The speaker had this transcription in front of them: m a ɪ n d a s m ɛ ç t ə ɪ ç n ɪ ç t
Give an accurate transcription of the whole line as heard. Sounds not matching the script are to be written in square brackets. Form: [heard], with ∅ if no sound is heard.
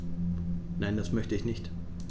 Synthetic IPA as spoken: [n] a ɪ n d a s m [œ] ç t ə ɪ ç n ɪ ç t